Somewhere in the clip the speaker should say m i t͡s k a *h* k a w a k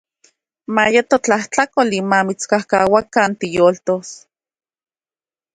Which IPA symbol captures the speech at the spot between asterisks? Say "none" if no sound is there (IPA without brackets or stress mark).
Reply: h